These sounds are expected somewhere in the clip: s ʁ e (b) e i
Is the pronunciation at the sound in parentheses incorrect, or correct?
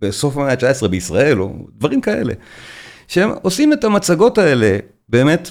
correct